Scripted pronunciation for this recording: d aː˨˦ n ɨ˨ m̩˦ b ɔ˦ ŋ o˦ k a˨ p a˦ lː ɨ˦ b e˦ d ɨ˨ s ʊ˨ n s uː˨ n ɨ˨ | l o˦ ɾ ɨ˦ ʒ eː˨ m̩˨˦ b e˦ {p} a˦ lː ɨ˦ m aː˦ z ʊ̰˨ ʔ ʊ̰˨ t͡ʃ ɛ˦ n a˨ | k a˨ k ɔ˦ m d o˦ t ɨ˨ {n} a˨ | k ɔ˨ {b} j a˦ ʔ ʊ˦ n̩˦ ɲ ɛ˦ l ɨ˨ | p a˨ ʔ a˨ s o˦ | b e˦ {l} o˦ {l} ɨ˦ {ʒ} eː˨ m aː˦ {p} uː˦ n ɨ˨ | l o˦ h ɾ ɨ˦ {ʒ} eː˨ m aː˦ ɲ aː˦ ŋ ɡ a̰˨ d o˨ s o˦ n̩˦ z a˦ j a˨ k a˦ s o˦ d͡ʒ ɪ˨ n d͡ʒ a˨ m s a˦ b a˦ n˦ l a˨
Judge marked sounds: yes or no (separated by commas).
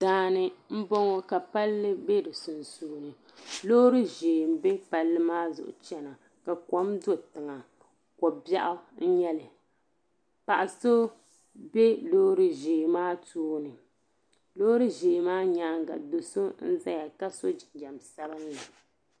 yes, no, yes, yes, no, yes, no, yes